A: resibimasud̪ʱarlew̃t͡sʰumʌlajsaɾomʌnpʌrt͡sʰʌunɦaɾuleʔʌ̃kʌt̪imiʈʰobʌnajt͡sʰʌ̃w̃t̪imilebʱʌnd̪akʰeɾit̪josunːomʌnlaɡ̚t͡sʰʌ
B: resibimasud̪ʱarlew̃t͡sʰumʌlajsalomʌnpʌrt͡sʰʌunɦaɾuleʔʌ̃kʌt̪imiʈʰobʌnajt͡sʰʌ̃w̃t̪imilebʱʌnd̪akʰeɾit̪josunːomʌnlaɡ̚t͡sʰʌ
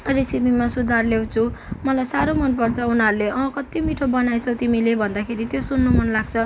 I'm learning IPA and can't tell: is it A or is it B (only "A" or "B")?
A